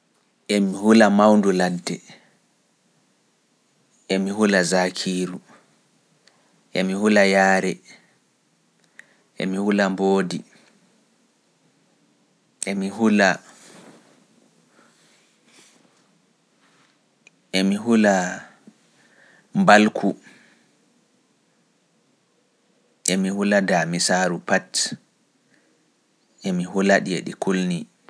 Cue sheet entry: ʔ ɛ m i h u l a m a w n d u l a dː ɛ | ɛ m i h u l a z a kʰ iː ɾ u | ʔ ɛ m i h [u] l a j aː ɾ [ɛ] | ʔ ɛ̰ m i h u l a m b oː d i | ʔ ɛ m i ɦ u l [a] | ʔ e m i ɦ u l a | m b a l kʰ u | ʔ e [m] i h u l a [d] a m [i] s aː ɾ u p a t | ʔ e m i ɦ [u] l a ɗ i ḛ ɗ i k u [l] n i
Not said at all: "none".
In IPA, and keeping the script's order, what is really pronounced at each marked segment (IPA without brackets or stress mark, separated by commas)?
u, ɛ, a, m, d, i, u, l